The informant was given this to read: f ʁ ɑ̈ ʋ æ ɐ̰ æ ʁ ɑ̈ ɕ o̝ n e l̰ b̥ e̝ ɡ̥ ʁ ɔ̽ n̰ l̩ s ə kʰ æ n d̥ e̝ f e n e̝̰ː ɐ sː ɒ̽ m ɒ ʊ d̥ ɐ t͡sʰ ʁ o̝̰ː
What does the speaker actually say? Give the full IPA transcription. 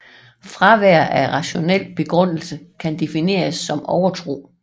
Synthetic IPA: f ʁ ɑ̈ ʋ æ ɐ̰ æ ʁ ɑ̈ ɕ o̝ n e l̰ b̥ e̝ ɡ̥ ʁ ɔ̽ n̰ l̩ s ə kʰ æ n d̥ e̝ f i n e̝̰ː ɐ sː ɒ̽ m ɒ ʊ ɐ t͡sʰ ʁ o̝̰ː

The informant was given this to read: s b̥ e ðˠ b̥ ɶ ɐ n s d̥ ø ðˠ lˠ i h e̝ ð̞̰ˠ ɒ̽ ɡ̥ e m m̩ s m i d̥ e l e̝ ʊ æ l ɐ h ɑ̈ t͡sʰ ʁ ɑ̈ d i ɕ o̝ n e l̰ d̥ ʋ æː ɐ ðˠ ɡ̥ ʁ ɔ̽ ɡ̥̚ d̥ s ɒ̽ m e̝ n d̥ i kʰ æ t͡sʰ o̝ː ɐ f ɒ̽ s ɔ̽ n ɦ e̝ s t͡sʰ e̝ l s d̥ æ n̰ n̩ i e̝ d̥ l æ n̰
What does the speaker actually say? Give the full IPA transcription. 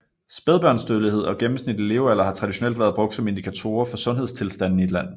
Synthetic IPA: s b̥ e ðˠ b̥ ɶ ɐ n s d̥ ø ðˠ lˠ i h e̝ ð̞̰ˠ ɒ̽ ɡ̥ e m m̩ s n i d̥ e l e̝ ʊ æ l ɐ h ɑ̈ t͡sʰ ʁ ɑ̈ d i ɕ o̝ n e l̰ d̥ ʋ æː ɐ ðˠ b̥ ʁ ɔ̽ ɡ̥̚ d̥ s ɒ̽ m e̝ n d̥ i kʰ æ t͡sʰ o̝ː ɐ f ɒ̽ s ɔ̽ n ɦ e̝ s t͡sʰ e̝ l s d̥ æ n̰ n̩ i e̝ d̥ l æ n̰

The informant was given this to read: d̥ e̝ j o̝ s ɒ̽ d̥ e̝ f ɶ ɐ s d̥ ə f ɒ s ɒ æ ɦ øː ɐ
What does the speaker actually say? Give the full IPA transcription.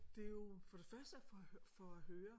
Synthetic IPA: d̥ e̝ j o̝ f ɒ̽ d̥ e̝ f ɶ ɐ s d̥ ə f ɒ f ɒ æ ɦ øː ɐ

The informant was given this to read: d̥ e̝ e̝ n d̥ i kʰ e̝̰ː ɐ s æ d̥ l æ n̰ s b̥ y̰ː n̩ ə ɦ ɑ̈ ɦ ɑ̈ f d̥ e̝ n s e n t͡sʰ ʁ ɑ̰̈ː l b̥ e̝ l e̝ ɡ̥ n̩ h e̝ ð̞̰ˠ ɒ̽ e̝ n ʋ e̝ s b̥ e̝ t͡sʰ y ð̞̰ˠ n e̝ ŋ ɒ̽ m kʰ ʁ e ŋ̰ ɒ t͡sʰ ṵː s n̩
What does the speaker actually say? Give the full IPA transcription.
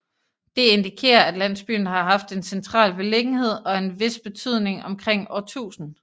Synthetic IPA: d̥ e̝ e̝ n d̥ i kʰ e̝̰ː ɐ æ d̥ l æ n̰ s b̥ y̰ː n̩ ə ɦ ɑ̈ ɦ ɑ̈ f d̥ e̝ n s e n t͡sʰ ʁ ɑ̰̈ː l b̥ e̝ l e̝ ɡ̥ n̩ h e̝ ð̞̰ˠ ɒ̽ e̝ n ʋ e̝ s b̥ e̝ t͡sʰ y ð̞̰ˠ n e̝ ŋ ɒ̽ m kʰ ʁ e ŋ̰ ɒ t͡sʰ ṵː s n̩

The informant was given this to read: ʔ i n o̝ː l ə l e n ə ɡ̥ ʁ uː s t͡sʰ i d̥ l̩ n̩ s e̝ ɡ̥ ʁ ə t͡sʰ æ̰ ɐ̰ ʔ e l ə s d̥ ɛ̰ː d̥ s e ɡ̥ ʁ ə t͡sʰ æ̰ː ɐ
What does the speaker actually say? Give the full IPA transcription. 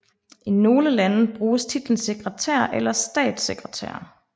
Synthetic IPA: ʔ i n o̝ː l ə l æ n ə b̥ ʁ uː s t͡sʰ i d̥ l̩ n̩ s e̝ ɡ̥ ʁ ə t͡sʰ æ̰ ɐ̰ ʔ e l ɐ s d̥ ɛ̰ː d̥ s e ɡ̥ ʁ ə t͡sʰ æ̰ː ɐ

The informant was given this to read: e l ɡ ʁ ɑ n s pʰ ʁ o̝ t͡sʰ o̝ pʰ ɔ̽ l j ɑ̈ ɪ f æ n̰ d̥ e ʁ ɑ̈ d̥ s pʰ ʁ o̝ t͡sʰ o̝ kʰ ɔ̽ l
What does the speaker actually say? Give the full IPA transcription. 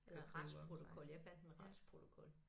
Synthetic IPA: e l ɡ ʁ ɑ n s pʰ ʁ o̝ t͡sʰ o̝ kʰ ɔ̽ l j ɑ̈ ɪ f æ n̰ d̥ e ʁ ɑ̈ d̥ s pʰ ʁ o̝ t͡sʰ o̝ kʰ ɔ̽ l

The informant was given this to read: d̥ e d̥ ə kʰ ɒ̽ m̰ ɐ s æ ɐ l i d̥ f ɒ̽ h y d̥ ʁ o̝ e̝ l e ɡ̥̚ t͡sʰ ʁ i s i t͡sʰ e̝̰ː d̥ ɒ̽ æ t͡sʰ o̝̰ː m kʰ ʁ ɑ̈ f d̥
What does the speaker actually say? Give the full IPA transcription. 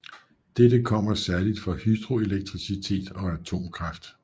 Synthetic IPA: d̥ e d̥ ə kʰ ɒ̽ m̰ ɐ s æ ɐ l i d̥ f ɒ̽ h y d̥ ʁ o̝ e̝ l e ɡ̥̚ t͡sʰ ʁ i s i t͡sʰ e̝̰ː d̥ ɒ̽ æ t͡sʰ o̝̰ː m kʰ ʁ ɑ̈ f d̥

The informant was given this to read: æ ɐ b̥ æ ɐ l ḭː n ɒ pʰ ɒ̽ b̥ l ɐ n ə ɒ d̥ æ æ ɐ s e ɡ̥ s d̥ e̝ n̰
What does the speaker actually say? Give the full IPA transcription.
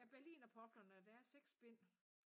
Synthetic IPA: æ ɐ b̥ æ ɐ l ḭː n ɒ pʰ ɒ̽ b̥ l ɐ n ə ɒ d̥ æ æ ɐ s e ɡ̥ s b̥ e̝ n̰

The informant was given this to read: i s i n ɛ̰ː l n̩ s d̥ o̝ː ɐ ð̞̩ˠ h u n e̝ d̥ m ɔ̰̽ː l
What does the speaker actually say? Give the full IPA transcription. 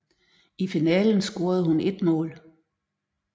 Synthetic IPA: i f i n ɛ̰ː l n̩ s ɡ̥ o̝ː ɐ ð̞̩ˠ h u n e̝ d̥ m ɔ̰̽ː l

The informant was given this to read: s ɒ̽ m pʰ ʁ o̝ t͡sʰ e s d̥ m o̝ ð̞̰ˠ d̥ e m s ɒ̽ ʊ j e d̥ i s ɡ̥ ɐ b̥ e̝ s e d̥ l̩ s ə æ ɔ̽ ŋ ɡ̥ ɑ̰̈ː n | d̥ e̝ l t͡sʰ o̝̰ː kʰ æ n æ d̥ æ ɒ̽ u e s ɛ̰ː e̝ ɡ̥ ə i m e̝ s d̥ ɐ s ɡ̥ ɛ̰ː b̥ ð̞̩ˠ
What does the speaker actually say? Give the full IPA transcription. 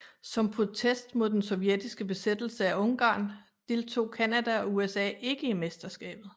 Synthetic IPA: s ɒ̽ m pʰ ʁ o̝ t͡sʰ e s d̥ m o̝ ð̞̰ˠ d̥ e n s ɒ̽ ʊ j e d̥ i s ɡ̥ ə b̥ e̝ s e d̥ l̩ s ə æ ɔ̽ ŋ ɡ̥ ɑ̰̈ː n | d̥ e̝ l t͡sʰ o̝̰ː kʰ æ n æ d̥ æ ɒ̽ u e s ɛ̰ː e̝ ɡ̥ ə i m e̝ s d̥ ɐ s ɡ̥ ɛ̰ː b̥ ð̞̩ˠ

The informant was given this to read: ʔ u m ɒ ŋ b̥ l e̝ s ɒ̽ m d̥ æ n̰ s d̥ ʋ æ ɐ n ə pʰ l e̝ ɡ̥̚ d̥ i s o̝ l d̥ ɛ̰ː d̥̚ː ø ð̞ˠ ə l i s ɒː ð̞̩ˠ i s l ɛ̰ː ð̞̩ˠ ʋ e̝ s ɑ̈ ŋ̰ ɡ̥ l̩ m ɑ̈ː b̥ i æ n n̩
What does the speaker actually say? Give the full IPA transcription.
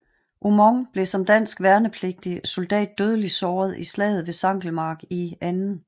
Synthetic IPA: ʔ u m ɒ ŋ b̥ l e̝ s ɒ̽ m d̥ æ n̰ s ɡ̥ ʋ æ ɐ n ə pʰ l e̝ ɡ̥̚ d̥ i s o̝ l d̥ ɛ̰ː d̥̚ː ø ð̞ˠ ə l i s ɒː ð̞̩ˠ i s l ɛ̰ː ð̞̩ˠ ʋ e̝ s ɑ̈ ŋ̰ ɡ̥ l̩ m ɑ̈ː ɡ̥ i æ n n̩

